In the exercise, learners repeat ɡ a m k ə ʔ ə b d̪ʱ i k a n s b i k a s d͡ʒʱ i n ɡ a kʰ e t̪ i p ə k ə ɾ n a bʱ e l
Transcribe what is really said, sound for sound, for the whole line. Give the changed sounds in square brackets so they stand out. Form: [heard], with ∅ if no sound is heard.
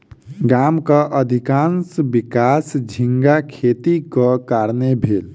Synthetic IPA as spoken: ɡ a m k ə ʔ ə [∅] d̪ʱ i k a n s b i k a s d͡ʒʱ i [ŋ] ɡ a kʰ e t̪ i [k] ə k [a] ɾ n [e] bʱ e l

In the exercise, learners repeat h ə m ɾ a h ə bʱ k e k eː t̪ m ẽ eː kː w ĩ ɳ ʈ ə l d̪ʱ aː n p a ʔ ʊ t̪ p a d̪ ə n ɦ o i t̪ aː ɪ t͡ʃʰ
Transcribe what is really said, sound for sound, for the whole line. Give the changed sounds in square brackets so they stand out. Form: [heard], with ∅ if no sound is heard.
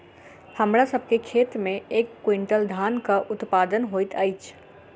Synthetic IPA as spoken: h ə m ɾ a [s] ə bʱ k e [kʰ] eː t̪ m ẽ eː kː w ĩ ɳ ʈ ə l d̪ʱ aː n [k] a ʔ ʊ t̪ p a d̪ ə n ɦ o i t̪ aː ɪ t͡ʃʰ

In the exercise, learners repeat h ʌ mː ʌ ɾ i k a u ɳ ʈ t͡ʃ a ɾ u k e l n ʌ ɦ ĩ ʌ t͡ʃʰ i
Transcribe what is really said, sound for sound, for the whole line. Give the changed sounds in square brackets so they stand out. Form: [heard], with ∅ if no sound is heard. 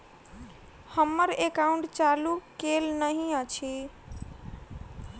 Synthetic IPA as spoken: h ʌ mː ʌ ɾ [e] k a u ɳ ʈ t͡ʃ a [l] u k e l n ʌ ɦ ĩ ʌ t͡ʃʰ i

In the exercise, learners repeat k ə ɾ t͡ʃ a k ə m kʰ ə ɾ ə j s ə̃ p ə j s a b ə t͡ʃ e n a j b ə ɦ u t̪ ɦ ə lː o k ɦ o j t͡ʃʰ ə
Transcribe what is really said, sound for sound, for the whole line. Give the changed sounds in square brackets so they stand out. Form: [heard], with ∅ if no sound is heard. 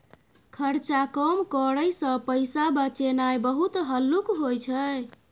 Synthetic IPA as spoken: [kʰ] ə ɾ t͡ʃ a k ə m [k] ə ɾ ə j s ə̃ p ə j s a b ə t͡ʃ e n a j b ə ɦ u t̪ ɦ ə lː [u] k ɦ o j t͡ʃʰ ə

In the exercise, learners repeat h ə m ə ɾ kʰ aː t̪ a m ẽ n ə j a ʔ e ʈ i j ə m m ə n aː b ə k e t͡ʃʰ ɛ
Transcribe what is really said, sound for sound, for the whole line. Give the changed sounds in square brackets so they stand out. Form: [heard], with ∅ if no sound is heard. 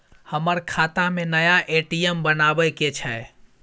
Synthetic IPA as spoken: h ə m ə ɾ kʰ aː t̪ a m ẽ n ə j a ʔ e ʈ i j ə m [b] ə n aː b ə k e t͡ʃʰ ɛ

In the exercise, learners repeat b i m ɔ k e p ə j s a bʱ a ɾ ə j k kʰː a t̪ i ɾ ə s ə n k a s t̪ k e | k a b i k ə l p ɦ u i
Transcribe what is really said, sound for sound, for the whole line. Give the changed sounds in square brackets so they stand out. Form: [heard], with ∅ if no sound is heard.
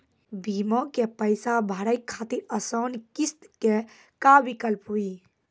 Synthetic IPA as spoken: b i m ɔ k e p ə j s a bʱ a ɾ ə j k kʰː a t̪ i ɾ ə s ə n k [i] s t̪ k e | k a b i k ə l p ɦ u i

